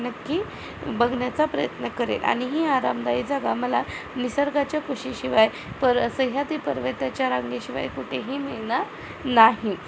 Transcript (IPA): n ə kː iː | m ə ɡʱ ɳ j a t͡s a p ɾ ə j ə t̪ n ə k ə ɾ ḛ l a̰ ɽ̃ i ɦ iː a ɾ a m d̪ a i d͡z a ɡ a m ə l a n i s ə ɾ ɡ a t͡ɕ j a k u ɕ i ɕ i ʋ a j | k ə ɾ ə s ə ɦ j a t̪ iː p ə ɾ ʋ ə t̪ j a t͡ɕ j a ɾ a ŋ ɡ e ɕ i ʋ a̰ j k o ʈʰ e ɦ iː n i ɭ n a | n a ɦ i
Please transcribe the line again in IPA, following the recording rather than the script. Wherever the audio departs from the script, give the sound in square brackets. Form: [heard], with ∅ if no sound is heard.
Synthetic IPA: n ə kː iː | [b] ə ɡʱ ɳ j a t͡s a p ɾ ə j ə t̪ n ə k ə ɾ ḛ l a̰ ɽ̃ i ɦ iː a ɾ a m d̪ a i d͡z a ɡ a m ə l a n i s ə ɾ ɡ a t͡ɕ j a k u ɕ i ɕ i ʋ a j | [p] ə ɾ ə s ə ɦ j a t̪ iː p ə ɾ ʋ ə t̪ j a t͡ɕ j a ɾ a ŋ ɡ e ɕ i ʋ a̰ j k [u] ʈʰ e ɦ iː [m] i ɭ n a | n a ɦ i